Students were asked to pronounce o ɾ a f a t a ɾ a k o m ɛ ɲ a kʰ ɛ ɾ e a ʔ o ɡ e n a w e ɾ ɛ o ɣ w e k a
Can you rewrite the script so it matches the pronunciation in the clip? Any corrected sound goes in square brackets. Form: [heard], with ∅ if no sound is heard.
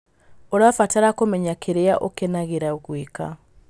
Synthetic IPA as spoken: o ɾ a f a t a ɾ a k o m ɛ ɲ a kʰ [e] ɾ e a ʔ o [k] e n a [ɣ] e ɾ [a] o ɣ w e k a